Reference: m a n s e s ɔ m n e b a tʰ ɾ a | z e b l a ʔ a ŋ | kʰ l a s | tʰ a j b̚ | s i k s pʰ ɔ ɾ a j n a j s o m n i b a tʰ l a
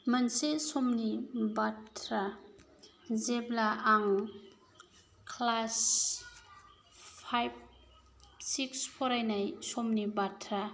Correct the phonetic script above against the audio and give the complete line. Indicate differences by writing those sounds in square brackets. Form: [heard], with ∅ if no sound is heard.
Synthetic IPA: m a n s e s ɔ m n [i] b a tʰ ɾ a | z e b l a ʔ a ŋ | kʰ l a s | [pʰ] a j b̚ | s i k s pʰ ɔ ɾ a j n a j s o m n i b a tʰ [ɾ] a